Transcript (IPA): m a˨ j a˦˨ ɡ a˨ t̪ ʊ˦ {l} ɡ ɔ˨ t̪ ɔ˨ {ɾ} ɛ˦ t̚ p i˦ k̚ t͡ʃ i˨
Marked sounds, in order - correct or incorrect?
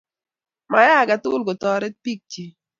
correct, correct

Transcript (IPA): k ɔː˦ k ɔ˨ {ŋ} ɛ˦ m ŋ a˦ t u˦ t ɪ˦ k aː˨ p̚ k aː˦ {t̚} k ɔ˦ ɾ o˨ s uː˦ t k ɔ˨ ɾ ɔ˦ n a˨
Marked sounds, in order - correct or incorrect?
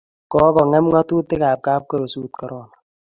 correct, incorrect: p̚

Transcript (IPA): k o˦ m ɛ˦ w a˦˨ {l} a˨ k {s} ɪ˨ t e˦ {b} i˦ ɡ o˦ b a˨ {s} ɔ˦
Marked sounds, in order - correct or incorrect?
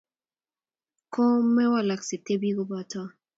correct, correct, correct, incorrect: t

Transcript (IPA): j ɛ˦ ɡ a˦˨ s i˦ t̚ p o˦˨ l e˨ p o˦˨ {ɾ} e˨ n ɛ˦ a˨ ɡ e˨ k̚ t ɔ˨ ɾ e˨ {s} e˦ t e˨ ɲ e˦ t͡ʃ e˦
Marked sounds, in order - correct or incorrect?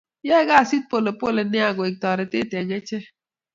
incorrect: l, incorrect: t

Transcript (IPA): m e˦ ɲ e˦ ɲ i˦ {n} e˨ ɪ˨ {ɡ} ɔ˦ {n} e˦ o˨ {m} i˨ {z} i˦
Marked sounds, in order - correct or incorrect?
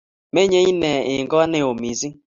correct, correct, correct, correct, correct

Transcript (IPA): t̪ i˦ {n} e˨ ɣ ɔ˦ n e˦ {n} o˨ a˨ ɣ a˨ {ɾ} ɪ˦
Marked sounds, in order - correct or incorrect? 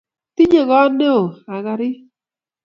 incorrect: ɲ, incorrect: none, correct

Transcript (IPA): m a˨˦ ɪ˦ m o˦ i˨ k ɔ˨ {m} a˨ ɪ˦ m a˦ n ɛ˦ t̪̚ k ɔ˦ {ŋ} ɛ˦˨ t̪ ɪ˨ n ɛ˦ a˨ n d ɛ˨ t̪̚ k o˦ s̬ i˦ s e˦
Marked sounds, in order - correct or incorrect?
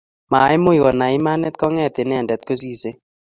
incorrect: n, correct

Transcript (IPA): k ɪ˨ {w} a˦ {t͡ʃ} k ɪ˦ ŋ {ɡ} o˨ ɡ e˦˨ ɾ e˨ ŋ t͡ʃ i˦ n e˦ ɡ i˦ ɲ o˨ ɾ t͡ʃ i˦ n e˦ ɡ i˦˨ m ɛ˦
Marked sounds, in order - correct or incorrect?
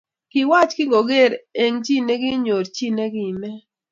correct, correct, correct

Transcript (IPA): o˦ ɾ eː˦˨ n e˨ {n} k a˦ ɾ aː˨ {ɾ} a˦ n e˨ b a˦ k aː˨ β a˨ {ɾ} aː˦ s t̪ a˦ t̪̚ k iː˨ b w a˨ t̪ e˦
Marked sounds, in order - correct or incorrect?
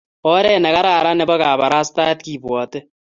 incorrect: none, correct, correct

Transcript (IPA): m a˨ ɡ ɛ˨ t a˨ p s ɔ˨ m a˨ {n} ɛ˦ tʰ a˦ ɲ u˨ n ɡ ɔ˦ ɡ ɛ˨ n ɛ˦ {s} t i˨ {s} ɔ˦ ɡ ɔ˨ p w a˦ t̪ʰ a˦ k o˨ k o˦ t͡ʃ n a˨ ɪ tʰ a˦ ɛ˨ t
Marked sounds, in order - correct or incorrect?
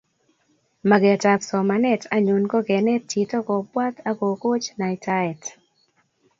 correct, incorrect: none, incorrect: t

